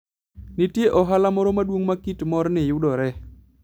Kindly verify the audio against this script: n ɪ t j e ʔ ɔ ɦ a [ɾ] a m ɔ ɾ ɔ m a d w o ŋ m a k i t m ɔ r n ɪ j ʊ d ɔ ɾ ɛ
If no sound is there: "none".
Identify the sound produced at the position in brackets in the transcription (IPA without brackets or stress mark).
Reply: l